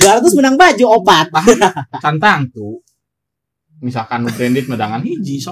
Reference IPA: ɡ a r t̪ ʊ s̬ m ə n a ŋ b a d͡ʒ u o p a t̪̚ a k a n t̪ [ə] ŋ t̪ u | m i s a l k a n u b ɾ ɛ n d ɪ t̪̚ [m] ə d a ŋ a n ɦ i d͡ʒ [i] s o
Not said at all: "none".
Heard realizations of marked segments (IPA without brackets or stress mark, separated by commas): a, m, i